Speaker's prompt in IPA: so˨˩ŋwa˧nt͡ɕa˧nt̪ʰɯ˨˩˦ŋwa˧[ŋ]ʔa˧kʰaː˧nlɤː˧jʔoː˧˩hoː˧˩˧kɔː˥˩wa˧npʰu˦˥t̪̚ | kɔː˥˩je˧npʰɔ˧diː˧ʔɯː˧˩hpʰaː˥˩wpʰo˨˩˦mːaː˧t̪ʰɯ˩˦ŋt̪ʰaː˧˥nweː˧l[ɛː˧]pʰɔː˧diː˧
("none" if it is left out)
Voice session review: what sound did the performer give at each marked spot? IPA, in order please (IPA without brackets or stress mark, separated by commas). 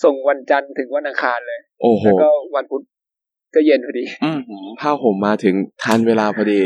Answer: n, aː˧